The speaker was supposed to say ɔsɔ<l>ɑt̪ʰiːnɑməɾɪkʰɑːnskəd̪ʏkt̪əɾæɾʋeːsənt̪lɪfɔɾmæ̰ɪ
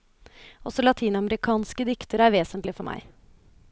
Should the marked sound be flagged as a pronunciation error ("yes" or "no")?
no